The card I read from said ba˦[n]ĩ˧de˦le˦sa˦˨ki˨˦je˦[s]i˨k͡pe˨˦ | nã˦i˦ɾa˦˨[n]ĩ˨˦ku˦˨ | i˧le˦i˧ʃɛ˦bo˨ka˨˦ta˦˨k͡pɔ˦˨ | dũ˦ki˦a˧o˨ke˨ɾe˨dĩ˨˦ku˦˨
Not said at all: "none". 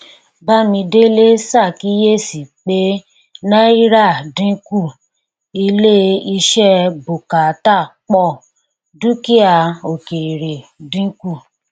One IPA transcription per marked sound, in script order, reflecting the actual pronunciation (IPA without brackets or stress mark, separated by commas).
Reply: m, s, d